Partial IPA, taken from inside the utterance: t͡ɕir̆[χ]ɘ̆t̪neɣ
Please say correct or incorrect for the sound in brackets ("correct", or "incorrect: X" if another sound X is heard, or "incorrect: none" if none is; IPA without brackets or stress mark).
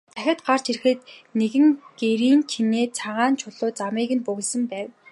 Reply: incorrect: x